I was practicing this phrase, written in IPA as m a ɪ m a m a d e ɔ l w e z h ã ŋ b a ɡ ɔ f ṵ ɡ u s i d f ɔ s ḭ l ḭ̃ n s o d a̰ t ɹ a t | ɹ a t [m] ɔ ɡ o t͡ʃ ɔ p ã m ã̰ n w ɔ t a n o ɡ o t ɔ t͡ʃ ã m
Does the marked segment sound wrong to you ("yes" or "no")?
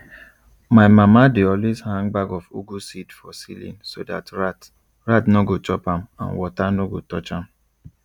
yes